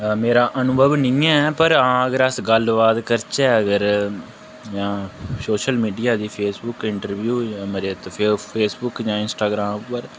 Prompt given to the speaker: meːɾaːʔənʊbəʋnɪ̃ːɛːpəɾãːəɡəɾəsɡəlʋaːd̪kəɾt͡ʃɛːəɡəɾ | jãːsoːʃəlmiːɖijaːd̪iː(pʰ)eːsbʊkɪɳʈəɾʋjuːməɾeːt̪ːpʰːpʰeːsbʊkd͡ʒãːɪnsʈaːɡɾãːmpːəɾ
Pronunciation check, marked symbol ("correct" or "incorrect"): correct